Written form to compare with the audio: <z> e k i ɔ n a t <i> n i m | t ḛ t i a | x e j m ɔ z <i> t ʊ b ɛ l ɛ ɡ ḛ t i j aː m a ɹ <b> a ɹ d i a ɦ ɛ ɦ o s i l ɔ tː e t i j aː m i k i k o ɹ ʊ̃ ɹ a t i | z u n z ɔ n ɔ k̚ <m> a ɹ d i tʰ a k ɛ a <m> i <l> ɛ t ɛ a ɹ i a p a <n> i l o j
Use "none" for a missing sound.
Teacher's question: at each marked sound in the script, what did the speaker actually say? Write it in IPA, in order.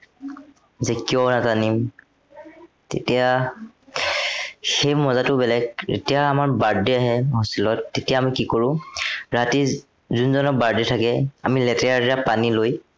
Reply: z, a, a, b, b, m, l, n

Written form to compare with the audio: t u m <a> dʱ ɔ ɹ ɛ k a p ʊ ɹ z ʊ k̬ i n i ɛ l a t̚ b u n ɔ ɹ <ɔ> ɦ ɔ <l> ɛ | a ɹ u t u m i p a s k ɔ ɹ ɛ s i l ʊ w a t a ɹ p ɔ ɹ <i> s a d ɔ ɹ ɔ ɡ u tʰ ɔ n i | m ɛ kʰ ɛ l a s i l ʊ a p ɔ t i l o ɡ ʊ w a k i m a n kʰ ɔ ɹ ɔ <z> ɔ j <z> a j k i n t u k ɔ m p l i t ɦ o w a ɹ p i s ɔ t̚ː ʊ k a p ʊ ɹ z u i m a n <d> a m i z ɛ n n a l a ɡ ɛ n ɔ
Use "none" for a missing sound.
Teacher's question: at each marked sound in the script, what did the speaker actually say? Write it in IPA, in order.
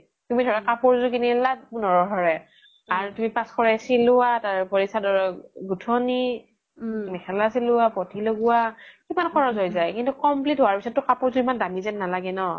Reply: i, ɔ, ɹ, i, z, z, d

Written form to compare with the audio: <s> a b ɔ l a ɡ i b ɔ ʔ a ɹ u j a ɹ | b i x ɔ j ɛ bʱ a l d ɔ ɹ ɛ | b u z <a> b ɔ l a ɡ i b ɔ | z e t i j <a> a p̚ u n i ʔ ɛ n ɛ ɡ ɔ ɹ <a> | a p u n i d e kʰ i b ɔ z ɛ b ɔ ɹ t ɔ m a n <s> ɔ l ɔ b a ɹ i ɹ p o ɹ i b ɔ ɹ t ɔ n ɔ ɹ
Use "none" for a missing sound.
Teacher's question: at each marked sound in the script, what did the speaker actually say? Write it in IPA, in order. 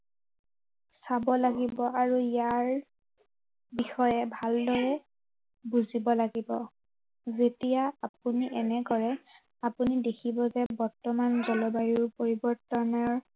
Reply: s, i, a, ɛ, z

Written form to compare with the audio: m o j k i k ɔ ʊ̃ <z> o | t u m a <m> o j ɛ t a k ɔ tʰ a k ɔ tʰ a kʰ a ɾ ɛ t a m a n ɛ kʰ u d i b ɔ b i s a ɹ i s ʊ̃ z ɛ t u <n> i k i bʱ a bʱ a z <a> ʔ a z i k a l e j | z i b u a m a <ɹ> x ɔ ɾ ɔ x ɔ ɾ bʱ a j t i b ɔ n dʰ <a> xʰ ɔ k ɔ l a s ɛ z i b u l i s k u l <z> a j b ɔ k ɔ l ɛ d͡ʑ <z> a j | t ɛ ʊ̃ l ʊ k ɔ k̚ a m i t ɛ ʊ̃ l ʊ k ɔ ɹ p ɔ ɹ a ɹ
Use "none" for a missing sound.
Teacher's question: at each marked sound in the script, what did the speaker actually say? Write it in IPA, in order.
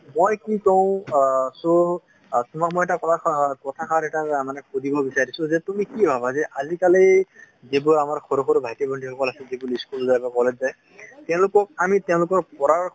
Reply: s, m, m, ɛ, ɹ, i, z, z

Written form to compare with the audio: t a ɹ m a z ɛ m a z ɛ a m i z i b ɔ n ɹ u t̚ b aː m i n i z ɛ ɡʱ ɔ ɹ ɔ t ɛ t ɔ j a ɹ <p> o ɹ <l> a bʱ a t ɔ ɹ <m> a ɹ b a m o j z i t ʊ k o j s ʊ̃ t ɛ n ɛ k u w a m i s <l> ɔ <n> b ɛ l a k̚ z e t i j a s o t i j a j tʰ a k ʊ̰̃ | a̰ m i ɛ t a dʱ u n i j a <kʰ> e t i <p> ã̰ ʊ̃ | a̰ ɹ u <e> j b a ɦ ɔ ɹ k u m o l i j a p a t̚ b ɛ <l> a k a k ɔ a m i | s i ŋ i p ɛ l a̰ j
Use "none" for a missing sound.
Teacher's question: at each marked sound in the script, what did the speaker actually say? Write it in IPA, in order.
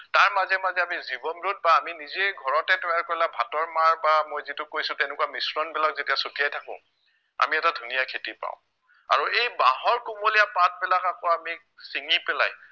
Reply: k, l, m, ɹ, n, kʰ, p, e, l

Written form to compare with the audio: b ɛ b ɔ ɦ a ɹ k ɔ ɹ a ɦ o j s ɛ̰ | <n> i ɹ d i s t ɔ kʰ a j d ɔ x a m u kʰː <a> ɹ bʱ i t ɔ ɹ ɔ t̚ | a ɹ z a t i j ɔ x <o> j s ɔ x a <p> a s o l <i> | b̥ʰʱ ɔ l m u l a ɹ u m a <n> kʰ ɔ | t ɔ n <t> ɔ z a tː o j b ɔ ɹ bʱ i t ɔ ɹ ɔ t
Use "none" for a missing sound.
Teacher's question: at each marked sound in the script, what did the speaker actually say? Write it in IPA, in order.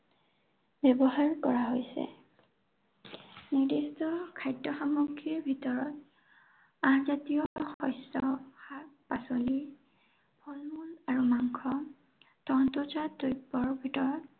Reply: n, i, ɔ, p, i, ŋ, t

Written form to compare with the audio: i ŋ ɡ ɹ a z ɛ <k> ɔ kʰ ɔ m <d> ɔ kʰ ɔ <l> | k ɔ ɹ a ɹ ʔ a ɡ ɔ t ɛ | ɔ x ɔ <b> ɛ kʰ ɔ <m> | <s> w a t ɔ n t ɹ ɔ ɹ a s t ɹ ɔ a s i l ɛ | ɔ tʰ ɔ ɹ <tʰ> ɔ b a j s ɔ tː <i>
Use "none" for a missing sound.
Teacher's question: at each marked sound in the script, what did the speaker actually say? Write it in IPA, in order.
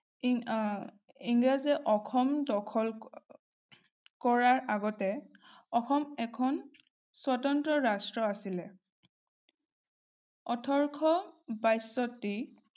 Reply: ʔ, d, l, m, n, s, kʰ, i

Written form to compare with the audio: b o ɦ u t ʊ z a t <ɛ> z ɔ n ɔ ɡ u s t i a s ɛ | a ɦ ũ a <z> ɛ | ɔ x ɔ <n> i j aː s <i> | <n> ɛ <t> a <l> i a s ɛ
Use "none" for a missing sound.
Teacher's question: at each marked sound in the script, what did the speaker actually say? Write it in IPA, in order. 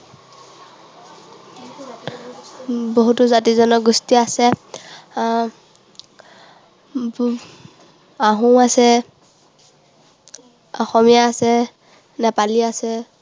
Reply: i, s, m, ɛ, n, p, l

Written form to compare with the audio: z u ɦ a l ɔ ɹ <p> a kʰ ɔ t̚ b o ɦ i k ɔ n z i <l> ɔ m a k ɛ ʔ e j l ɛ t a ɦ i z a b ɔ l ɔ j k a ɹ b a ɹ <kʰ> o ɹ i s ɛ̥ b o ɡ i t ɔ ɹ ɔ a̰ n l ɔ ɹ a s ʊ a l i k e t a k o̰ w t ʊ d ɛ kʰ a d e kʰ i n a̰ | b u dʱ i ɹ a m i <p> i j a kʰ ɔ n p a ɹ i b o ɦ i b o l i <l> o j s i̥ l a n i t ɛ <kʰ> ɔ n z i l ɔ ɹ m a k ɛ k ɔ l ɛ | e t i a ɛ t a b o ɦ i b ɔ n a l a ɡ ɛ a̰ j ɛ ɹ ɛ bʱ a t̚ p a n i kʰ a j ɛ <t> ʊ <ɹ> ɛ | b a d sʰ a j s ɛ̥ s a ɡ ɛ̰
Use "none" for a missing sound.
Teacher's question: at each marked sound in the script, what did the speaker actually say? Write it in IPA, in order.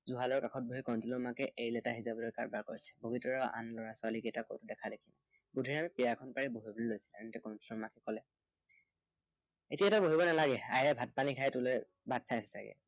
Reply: k, l, k, p, l, k, t, l

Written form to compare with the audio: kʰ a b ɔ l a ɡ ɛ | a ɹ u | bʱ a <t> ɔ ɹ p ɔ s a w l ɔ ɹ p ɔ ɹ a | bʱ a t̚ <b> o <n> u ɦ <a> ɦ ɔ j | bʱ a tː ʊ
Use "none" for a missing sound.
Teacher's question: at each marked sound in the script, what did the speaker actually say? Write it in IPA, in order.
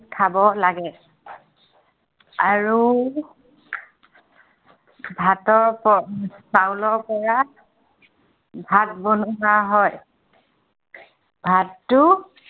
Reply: t, b, n, a

